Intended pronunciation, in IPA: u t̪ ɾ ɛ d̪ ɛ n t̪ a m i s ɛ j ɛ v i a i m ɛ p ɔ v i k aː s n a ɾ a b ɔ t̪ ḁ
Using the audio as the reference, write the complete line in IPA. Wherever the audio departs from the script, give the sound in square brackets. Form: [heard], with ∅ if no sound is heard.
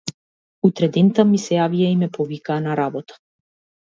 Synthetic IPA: u t̪ ɾ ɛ d̪ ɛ n t̪ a m i s ɛ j [a] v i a i m ɛ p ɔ v i k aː [∅] n a ɾ a b ɔ t̪ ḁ